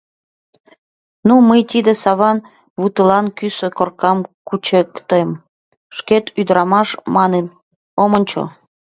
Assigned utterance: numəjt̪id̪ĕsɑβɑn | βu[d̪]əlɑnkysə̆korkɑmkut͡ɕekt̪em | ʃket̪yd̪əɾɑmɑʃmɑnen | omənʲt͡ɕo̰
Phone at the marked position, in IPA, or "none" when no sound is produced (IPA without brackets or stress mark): t̪